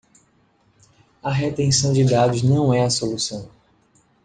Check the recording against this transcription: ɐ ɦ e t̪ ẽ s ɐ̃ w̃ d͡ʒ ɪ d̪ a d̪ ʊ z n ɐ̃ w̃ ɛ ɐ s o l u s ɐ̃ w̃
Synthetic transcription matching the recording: ɐ ɦ e t̪ ẽ s ɐ̃ w̃ d͡ʒ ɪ d̪ a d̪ ʊ z n ɐ̃ w̃ ɛ ɐ s o l u s ɐ̃ w̃